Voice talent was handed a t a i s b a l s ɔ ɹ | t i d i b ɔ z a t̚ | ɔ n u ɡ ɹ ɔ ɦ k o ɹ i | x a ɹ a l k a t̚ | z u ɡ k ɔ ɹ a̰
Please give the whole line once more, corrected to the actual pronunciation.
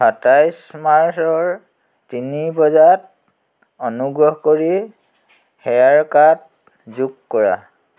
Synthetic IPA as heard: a t a j s m a ɹ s ɔ ɹ | t i n i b ɔ z a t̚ | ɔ n u ɡ ɹ ɔ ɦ k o ɹ i | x ɛ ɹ a ɹ k a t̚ | z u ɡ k ɔ ɹ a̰